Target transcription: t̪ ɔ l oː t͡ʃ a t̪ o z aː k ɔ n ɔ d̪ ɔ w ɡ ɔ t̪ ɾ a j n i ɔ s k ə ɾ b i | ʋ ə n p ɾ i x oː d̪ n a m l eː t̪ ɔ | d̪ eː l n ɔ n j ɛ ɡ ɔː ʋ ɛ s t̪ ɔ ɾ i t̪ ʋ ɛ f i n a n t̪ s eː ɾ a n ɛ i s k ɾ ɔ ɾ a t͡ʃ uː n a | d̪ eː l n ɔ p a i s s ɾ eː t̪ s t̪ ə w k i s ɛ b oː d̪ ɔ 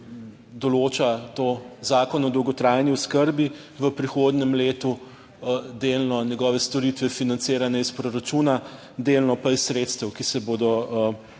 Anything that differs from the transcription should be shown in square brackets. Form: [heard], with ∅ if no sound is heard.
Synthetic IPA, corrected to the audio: [d̪] ɔ l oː t͡ʃ a t̪ o z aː k ɔ n ɔ d̪ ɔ w ɡ ɔ t̪ ɾ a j n i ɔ s k ə ɾ b i | ʋ ə [∅] p ɾ i x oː d̪ n [ɛ] m l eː t̪ [u] | d̪ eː l n ɔ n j ɛ ɡ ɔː ʋ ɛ s t̪ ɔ ɾ i t̪ ʋ ɛ f i n a n t̪ s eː ɾ a n ɛ i s [p] ɾ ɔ ɾ a t͡ʃ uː n a | d̪ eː l n ɔ p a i s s ɾ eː t̪ s t̪ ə w k i s ɛ b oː d̪ ɔ